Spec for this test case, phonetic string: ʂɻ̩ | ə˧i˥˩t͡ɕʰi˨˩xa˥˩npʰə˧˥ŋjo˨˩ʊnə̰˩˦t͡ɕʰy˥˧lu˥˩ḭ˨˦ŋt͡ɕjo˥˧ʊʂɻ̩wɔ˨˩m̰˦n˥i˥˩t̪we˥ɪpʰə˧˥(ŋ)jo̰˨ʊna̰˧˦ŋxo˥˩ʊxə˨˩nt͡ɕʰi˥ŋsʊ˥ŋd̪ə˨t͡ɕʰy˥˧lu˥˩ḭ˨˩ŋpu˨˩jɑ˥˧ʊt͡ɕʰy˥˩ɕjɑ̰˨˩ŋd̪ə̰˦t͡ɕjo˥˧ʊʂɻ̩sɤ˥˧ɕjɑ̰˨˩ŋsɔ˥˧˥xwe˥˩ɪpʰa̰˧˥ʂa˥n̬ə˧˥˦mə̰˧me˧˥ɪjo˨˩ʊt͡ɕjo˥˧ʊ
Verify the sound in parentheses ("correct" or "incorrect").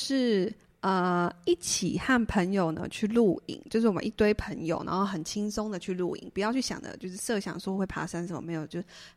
correct